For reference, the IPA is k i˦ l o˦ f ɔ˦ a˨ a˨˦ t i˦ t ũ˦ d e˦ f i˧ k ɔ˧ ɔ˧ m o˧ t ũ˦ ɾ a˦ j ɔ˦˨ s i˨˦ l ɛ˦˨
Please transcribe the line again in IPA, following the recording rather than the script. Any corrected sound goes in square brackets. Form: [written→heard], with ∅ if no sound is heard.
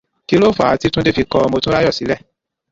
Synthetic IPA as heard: k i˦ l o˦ f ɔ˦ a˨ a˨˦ t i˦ t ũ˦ d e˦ f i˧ k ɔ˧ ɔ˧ m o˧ t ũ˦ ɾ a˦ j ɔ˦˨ s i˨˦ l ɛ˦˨